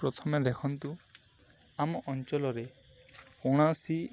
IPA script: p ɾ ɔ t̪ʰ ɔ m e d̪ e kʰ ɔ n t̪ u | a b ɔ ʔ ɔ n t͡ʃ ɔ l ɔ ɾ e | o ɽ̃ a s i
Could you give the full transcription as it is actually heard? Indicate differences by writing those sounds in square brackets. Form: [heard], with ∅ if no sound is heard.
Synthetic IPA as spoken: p ɾ ɔ t̪ʰ ɔ m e d̪ e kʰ ɔ n t̪ u | a [m] ɔ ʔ ɔ n t͡ʃ ɔ l ɔ ɾ e | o ɽ̃ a s i